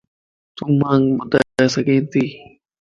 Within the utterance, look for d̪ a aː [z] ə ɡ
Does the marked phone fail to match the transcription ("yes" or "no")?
yes